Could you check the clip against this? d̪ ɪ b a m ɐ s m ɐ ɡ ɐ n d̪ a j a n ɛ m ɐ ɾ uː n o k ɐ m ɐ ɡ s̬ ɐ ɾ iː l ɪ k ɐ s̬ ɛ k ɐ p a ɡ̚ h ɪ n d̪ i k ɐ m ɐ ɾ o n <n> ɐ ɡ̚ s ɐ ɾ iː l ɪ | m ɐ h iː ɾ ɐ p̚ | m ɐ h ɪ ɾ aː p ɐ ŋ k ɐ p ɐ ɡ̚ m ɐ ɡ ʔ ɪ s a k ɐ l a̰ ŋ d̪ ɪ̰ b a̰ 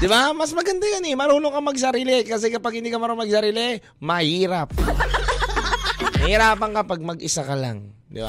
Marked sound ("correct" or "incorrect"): incorrect